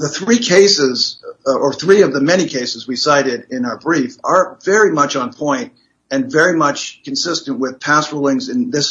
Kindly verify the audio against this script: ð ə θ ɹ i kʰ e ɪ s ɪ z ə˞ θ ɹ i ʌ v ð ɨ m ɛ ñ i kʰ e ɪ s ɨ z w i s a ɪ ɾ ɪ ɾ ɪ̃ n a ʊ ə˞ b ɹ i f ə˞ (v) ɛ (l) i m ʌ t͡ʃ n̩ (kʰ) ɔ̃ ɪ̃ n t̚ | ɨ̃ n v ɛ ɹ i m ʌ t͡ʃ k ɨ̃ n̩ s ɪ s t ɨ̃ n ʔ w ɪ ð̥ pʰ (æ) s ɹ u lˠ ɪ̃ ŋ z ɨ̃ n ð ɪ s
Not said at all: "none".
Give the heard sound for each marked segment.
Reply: v, ɹ, pʰ, æ

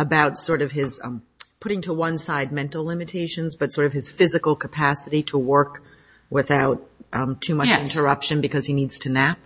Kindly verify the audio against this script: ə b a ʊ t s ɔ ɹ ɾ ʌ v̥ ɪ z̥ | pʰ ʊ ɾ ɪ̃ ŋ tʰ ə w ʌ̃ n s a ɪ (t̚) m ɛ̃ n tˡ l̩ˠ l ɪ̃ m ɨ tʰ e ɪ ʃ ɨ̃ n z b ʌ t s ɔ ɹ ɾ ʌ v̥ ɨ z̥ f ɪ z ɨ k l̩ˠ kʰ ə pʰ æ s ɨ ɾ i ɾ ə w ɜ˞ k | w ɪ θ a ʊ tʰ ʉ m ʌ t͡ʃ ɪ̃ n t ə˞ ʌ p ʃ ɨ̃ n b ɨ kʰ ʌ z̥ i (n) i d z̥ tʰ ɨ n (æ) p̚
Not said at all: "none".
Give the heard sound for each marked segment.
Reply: d̚, n, æ

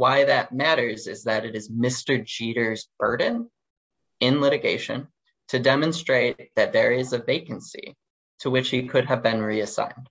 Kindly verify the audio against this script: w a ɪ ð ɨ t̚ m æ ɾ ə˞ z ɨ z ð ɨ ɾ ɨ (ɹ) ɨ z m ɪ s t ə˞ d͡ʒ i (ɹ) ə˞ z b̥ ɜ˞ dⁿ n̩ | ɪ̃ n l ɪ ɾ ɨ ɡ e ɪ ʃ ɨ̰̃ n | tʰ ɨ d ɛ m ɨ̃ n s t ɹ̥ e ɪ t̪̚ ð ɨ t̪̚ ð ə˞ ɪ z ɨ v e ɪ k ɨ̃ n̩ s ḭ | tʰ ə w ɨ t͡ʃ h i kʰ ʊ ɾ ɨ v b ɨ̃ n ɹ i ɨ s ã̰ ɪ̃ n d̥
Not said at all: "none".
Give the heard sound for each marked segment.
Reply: ɾ, ɾ

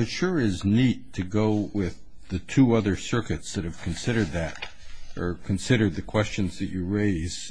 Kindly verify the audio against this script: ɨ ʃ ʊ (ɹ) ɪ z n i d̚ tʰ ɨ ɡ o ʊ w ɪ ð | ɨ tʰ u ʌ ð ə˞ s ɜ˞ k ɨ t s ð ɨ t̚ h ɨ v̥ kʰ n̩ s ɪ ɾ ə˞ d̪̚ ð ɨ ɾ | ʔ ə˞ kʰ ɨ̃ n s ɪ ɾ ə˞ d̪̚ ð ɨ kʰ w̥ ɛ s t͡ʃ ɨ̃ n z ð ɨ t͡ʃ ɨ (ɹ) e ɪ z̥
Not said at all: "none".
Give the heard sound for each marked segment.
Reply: ɹ, ɹ

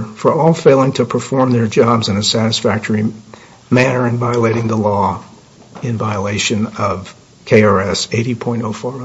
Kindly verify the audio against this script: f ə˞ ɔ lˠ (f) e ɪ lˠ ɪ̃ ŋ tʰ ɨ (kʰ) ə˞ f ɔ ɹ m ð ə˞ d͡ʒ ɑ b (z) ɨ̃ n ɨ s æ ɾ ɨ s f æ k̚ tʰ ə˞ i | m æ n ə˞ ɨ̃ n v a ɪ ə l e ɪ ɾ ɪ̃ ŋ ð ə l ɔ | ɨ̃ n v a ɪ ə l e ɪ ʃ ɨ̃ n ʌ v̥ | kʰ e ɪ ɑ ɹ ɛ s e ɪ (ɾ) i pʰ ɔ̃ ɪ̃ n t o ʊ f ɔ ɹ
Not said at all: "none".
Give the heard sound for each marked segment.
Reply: f, pʰ, z, ɾ

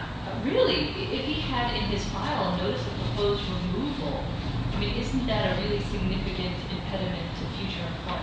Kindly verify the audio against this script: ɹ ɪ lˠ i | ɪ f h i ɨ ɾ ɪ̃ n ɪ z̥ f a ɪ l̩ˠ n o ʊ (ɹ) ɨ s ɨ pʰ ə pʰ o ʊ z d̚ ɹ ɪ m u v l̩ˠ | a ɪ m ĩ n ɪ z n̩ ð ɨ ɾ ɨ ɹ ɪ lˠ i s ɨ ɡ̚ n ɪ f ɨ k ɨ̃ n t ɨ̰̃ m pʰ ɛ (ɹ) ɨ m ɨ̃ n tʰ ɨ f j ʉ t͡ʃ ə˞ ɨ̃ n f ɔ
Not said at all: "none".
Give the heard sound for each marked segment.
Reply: ɾ, ɾ

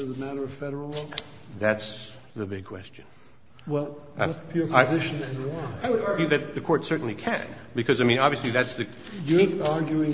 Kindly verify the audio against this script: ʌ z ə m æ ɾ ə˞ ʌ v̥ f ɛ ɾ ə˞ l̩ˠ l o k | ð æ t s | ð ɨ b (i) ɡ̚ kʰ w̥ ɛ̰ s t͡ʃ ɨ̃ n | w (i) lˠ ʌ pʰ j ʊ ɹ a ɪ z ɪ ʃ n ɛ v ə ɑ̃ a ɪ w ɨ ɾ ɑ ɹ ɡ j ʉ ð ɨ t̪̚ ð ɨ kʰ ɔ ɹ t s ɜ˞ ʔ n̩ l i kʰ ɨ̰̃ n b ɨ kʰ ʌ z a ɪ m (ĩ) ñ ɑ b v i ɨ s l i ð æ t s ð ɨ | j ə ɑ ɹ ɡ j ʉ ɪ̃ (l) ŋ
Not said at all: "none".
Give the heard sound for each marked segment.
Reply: ɪ, ɛ, ĩ, none

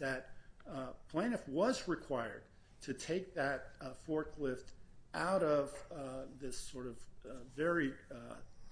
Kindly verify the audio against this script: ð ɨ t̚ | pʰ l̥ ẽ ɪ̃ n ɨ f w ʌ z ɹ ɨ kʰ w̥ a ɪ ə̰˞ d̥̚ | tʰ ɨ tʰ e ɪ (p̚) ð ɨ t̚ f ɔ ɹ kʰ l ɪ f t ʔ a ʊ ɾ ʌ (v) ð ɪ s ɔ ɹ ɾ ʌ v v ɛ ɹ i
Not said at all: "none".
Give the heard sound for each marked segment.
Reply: k̚, v

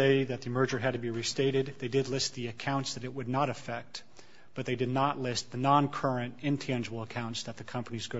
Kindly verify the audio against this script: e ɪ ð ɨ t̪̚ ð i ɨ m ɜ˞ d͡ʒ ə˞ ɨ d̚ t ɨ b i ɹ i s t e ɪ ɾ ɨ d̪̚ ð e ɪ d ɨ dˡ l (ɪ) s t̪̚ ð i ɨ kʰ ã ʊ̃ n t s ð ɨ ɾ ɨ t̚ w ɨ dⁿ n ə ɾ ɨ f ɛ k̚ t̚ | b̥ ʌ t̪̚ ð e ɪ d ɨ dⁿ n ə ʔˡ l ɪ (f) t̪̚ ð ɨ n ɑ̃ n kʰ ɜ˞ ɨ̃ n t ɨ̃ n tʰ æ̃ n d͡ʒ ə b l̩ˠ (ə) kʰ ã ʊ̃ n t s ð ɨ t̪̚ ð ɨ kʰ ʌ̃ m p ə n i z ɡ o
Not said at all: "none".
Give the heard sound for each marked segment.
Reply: ɪ, s, ə

